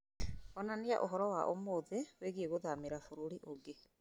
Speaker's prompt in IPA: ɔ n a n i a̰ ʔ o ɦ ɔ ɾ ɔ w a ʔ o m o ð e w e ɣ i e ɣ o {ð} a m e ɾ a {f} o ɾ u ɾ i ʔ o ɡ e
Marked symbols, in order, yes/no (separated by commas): yes, yes